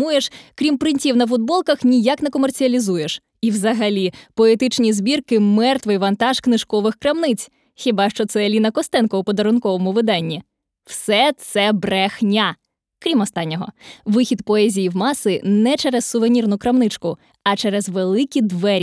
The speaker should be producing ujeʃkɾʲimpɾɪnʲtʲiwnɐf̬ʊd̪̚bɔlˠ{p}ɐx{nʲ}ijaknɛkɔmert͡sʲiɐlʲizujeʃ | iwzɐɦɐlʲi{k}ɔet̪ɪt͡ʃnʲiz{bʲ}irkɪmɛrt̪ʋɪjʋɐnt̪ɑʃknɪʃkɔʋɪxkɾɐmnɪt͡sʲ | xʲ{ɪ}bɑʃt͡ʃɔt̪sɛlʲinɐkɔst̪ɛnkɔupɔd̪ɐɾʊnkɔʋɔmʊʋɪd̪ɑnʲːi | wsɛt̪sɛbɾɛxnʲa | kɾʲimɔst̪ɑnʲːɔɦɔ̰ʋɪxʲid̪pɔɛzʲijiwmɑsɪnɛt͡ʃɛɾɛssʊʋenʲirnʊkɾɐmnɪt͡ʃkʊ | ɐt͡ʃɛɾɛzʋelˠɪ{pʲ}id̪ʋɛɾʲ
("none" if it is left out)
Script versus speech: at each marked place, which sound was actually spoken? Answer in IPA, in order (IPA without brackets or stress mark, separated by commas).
k, nʲ, p, bʲ, i, kʲ